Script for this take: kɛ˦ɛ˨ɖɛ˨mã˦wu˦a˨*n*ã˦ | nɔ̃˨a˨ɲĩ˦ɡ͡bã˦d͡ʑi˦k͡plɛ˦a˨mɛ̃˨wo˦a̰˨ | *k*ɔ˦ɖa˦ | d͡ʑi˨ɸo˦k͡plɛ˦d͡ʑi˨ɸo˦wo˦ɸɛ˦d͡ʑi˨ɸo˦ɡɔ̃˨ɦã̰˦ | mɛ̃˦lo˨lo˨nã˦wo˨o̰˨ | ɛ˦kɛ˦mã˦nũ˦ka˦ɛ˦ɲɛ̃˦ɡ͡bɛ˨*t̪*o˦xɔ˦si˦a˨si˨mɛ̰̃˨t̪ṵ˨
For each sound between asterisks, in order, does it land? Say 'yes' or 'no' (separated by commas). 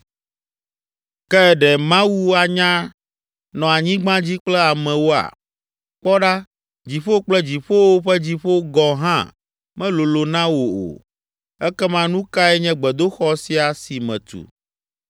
no, no, no